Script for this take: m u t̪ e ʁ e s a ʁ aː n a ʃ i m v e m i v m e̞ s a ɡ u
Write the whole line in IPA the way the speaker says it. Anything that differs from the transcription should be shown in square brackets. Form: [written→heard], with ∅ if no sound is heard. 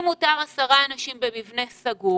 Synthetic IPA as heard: m u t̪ [e→a] ʁ [e→a] s a ʁ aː n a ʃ i m [v→b] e m i v [m→n] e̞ s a ɡ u